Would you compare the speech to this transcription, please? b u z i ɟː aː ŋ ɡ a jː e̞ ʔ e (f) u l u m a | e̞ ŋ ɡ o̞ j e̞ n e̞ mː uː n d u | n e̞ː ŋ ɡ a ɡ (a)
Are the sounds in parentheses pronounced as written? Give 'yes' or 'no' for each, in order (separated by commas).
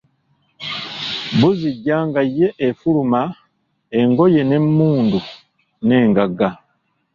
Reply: yes, yes